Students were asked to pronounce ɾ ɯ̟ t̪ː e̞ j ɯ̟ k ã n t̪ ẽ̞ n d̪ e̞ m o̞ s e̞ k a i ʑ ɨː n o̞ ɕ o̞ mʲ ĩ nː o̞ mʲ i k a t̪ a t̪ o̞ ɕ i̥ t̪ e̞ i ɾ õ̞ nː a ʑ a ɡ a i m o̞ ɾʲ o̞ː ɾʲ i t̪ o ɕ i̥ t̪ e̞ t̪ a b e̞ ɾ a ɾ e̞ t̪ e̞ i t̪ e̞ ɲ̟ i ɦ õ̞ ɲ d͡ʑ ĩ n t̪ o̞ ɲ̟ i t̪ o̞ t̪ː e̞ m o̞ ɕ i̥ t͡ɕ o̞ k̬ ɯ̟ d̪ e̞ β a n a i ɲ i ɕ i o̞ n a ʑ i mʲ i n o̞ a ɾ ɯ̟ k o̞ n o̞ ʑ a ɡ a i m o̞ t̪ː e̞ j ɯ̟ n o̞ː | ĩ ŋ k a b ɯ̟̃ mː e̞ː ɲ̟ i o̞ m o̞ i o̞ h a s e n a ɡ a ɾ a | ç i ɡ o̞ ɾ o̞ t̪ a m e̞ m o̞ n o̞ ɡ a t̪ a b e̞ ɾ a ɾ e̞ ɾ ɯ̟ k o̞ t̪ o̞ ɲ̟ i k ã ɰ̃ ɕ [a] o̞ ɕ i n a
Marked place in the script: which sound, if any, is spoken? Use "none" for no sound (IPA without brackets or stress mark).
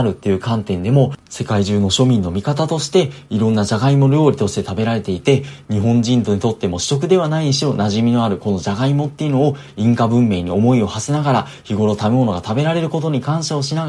a